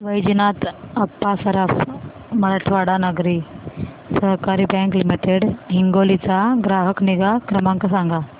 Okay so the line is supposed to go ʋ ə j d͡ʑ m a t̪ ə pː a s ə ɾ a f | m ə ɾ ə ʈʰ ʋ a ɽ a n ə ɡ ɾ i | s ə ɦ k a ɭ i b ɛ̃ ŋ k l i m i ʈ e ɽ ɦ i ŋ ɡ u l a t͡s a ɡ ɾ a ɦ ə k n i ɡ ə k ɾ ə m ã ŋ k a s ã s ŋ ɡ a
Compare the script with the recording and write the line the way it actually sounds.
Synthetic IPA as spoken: ʋ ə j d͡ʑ n a t̪ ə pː a s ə ɾ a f | m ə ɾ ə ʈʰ ʋ a ɽ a n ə ɡ ɾ i | s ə ɦ k a ɾ i b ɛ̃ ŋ k l i m i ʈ e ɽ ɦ i ŋ ɡ o l i t͡s a ɡ ɾ a ɦ ə k n i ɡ a k ɾ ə m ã ŋ k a s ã ŋ ɡ a